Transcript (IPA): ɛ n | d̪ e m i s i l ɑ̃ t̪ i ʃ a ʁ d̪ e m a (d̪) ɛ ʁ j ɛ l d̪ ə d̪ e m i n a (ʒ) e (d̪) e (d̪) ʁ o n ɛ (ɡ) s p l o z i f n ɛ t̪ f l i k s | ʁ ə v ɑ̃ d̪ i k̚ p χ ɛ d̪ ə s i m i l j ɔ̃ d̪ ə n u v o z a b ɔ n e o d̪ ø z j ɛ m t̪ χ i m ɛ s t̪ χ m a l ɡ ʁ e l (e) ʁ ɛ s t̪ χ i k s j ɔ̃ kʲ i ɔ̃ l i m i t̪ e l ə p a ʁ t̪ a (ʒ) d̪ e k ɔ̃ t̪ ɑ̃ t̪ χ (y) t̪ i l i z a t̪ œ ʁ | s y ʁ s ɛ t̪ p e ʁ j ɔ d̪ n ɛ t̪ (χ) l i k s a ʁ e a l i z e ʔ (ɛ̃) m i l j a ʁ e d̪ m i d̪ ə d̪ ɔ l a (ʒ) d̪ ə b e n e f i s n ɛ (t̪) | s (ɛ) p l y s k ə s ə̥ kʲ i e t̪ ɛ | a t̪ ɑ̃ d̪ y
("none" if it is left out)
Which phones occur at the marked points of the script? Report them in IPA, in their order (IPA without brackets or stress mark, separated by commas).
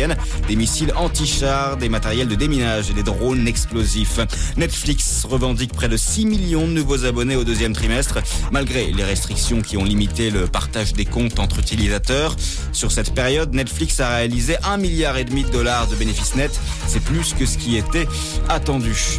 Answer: t̪, ʒ, d̪, d̪, k, e, ʒ, y, f, ɛ̃, ʁ, t̪, ɛ